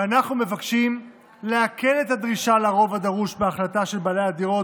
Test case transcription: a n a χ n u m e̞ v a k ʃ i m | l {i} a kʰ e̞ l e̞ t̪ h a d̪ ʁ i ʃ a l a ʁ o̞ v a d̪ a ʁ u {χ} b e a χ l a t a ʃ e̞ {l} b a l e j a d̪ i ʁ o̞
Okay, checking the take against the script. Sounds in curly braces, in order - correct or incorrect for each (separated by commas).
incorrect, incorrect, correct